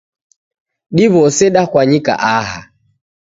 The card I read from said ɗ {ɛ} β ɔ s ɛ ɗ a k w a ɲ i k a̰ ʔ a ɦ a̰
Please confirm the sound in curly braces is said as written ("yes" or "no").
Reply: no